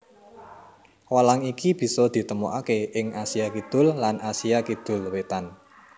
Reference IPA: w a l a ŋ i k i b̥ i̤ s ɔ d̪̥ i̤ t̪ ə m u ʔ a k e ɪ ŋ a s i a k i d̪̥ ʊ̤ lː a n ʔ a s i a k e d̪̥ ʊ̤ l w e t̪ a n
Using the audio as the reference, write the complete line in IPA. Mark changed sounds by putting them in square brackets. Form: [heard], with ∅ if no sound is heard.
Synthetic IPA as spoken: w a l a ŋ i k i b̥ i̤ s ɔ d̪̥ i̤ t̪ ə m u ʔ a k e ɪ ŋ a s i a k i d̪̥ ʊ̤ lː a n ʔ a s i a k [i] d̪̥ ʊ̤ l w e t̪ a n